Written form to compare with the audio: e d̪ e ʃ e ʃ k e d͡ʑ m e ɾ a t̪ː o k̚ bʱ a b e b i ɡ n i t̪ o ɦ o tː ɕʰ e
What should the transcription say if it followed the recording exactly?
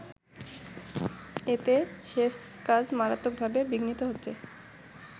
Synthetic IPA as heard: e t̪ e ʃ e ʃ k a d͡ʑ m a ɾ a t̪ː o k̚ bʱ a b e b i ɡ n i t̪ o ɦ o tː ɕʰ e